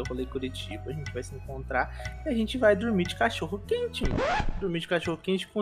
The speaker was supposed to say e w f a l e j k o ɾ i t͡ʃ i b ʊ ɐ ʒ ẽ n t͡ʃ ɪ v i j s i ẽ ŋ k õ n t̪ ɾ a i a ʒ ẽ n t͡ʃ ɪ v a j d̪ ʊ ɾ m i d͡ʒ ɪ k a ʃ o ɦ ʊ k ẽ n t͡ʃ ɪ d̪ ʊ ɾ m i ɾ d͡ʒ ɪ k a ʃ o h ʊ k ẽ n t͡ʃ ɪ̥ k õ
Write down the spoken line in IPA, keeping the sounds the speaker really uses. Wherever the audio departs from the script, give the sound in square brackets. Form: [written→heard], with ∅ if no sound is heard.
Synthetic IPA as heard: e w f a l e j k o ɾ i t͡ʃ i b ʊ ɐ ʒ ẽ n t͡ʃ ɪ v [i→a] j s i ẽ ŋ k õ n t̪ ɾ a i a ʒ ẽ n t͡ʃ ɪ v a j d̪ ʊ ɾ m i d͡ʒ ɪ k a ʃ o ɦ ʊ k ẽ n t͡ʃ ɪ d̪ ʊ ɾ m i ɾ d͡ʒ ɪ k a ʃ o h ʊ k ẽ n t͡ʃ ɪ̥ k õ